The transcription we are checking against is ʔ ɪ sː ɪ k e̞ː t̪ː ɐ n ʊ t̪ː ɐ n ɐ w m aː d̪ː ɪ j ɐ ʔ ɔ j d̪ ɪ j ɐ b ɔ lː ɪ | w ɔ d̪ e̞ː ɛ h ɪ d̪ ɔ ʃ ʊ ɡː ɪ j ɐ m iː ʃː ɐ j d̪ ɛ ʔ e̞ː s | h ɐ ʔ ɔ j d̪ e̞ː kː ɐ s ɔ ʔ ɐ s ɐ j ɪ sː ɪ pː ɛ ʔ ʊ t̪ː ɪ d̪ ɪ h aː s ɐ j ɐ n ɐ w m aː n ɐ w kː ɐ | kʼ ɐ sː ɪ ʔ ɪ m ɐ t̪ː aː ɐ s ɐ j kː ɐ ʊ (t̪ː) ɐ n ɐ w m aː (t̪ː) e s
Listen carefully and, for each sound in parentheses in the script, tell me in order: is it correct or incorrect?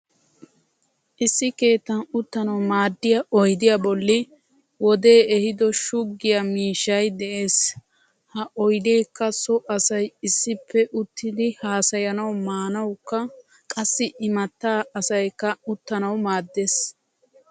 correct, incorrect: d̪ː

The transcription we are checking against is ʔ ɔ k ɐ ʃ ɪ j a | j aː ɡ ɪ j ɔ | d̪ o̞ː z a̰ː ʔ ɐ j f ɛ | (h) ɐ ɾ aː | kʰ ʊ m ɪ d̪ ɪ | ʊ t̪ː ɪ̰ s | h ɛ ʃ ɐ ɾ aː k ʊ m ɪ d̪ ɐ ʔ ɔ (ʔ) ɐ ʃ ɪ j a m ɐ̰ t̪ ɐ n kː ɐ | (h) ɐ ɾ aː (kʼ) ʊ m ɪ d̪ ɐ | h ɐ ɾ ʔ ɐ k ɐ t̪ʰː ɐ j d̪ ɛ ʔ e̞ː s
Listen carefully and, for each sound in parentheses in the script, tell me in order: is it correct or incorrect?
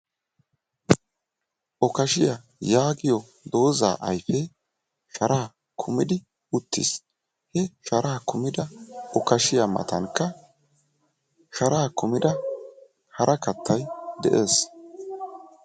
incorrect: ʃ, incorrect: k, incorrect: ʃ, incorrect: k

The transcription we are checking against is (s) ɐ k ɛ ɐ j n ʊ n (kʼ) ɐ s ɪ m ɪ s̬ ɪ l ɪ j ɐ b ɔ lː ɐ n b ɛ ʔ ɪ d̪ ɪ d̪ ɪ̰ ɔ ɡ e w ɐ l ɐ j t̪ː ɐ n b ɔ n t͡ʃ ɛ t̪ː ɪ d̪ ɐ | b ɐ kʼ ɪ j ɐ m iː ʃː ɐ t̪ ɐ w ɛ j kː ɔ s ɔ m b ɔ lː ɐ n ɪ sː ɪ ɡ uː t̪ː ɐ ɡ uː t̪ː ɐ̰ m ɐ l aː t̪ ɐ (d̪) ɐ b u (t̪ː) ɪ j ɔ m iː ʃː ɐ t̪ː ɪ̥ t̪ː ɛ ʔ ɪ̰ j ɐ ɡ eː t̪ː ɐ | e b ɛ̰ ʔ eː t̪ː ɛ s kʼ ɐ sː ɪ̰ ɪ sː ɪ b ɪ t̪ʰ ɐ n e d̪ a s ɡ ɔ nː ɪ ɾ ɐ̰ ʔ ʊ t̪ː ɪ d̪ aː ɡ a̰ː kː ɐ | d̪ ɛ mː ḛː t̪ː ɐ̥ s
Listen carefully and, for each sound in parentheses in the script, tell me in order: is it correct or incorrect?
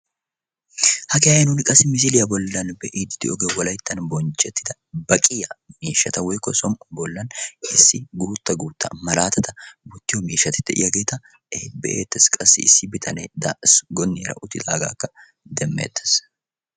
incorrect: h, correct, incorrect: t̪, correct

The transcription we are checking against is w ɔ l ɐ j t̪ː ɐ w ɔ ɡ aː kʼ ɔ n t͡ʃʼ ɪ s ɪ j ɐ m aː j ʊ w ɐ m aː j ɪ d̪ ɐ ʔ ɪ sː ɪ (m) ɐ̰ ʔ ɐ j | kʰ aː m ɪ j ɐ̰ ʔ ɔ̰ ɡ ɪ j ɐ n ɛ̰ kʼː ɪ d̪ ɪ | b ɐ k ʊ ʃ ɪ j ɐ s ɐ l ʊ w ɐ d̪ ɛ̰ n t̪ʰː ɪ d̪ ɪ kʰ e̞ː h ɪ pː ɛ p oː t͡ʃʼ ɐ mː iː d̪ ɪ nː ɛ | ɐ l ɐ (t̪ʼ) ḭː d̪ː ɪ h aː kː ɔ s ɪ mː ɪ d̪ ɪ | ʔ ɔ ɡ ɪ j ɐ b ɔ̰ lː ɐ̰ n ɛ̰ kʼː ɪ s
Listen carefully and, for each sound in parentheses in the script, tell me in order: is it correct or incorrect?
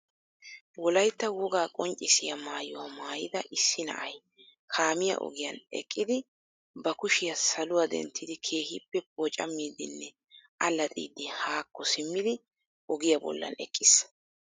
incorrect: n, correct

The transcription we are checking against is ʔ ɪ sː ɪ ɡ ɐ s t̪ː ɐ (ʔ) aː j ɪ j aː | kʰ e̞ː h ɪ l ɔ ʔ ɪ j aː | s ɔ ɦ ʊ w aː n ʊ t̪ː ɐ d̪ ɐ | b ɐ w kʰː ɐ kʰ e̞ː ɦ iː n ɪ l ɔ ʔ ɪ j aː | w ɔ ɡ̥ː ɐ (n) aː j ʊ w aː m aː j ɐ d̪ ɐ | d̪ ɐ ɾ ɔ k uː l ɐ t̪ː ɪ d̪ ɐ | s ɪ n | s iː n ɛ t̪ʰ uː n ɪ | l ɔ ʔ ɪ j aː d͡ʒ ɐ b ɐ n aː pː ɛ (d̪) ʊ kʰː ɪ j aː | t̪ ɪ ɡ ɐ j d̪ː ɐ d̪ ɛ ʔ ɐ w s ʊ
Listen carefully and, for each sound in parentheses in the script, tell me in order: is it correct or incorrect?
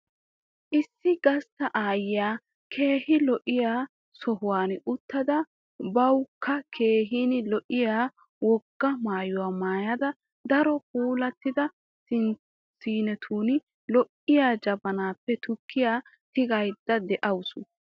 correct, incorrect: m, incorrect: t̪

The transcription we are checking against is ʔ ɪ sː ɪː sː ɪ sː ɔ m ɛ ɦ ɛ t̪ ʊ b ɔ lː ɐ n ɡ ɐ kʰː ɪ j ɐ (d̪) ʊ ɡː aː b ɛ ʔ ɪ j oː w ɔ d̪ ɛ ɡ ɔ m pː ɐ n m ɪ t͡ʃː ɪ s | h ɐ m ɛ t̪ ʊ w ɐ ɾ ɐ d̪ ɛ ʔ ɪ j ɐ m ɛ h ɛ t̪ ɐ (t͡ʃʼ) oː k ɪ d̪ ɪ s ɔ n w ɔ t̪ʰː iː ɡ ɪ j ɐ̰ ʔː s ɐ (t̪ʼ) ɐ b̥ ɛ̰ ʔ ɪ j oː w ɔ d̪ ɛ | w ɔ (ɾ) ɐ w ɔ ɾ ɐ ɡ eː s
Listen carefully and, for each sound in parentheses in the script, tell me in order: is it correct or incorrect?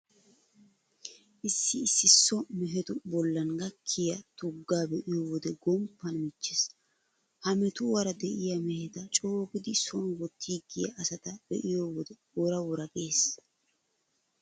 incorrect: t̪, correct, incorrect: t̪, correct

